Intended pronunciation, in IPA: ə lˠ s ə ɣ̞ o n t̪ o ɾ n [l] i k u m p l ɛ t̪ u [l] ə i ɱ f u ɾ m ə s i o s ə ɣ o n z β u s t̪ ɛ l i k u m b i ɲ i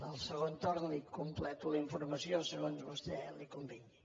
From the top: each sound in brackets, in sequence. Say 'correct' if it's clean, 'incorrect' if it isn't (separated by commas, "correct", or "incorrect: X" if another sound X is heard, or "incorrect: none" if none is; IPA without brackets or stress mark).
correct, correct